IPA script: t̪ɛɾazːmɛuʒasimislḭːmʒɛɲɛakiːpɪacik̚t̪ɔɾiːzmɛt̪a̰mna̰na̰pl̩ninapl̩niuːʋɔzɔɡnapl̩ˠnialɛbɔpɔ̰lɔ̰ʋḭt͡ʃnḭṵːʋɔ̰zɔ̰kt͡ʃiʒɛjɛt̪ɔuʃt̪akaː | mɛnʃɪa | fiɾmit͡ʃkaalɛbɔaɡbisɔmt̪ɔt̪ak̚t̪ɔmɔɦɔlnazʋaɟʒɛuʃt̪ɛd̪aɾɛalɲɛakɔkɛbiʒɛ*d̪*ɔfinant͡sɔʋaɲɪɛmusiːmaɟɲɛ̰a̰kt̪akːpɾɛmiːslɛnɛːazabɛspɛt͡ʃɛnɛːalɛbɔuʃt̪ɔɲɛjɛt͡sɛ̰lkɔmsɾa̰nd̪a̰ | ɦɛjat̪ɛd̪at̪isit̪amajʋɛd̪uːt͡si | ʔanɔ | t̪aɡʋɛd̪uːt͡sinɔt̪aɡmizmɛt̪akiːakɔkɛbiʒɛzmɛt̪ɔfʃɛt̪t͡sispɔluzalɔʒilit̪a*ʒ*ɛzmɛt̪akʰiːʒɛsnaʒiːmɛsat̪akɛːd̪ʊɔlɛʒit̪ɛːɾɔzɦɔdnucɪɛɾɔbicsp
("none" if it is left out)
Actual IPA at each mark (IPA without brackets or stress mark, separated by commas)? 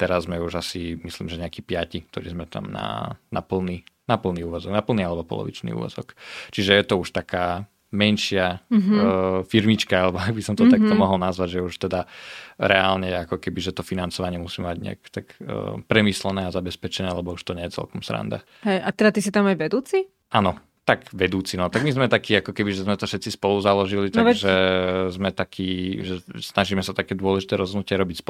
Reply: t̪, ʒ